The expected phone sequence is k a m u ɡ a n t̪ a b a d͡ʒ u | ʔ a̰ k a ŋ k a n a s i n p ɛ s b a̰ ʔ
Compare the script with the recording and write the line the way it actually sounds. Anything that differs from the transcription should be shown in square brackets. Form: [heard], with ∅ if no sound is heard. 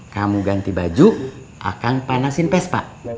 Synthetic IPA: k a m u ɡ a n t̪ [i] b a d͡ʒ u | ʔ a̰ k a ŋ [p] a n a s i n p ɛ s [p] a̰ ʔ